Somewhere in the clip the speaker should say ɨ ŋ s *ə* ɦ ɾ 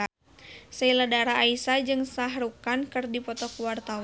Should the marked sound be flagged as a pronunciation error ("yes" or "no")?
yes